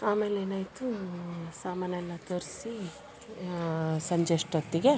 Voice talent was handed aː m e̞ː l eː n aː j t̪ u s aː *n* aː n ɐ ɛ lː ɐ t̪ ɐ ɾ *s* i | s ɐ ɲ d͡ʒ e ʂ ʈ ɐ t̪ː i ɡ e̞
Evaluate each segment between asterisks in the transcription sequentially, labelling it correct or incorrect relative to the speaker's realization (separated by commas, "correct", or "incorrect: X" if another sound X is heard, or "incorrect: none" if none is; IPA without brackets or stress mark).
incorrect: m, correct